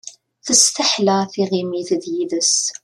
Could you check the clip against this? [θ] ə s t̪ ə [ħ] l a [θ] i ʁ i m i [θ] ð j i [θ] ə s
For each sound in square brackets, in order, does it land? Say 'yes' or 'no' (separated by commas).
yes, yes, yes, yes, no